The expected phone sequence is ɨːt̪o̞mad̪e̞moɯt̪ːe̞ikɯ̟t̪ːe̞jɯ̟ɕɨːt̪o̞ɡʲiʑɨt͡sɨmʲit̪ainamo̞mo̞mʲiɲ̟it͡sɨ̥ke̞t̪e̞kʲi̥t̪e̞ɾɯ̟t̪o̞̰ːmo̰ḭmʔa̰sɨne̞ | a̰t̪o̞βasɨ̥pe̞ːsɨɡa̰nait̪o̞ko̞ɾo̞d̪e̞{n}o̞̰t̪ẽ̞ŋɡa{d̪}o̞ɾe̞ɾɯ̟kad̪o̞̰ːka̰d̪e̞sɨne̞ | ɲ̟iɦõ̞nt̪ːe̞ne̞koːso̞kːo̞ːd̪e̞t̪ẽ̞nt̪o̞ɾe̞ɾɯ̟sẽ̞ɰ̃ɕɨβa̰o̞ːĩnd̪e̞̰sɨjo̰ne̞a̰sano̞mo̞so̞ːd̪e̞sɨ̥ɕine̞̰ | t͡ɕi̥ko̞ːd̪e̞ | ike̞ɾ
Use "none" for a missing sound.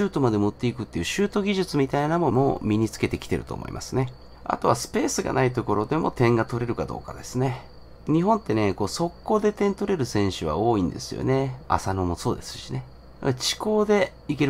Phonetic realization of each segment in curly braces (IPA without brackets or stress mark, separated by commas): m, t̪